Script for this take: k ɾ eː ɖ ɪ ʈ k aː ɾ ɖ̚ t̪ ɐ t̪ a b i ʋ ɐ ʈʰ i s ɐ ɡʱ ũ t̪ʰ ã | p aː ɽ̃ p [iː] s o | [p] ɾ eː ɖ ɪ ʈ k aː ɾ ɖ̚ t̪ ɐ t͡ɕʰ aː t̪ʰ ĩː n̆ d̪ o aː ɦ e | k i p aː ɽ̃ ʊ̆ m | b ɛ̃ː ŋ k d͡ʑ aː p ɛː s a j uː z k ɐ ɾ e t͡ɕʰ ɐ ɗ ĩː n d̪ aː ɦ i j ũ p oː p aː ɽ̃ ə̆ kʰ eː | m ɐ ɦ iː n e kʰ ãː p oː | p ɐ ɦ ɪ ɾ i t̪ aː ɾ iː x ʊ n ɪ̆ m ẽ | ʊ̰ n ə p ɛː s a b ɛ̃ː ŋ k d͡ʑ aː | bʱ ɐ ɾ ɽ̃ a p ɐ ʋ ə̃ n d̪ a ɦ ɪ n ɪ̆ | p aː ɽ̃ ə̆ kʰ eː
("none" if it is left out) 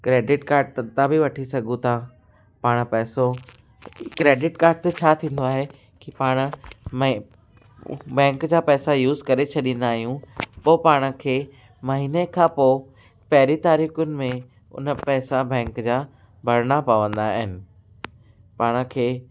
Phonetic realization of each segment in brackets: ɛː, k

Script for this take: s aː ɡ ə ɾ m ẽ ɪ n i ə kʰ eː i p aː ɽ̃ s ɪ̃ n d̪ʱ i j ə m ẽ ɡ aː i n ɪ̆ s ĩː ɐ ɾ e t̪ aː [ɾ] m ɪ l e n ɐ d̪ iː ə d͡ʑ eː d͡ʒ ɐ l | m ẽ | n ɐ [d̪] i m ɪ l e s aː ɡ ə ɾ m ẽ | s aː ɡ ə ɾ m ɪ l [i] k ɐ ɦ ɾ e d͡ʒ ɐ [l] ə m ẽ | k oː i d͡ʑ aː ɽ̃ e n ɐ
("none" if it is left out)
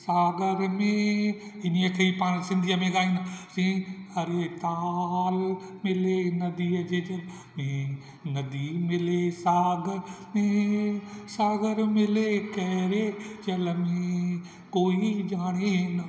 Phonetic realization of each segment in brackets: l, d̪, e, l

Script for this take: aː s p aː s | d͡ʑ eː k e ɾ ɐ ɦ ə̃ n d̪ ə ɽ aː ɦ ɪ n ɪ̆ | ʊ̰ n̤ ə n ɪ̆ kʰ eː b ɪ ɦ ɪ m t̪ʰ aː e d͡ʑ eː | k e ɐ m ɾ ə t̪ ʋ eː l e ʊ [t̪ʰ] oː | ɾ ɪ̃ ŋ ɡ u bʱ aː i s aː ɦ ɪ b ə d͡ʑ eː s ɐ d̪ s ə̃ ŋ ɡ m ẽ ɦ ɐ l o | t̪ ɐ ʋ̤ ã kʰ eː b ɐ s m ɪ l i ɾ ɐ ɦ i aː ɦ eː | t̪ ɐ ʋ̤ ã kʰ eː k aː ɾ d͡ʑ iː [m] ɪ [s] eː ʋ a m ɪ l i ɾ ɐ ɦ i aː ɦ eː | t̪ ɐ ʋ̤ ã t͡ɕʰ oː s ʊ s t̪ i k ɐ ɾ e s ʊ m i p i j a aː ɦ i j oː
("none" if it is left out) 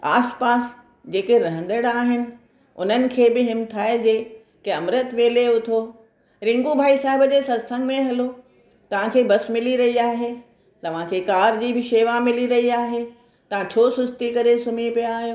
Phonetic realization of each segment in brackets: t̪ʰ, b, ʃ

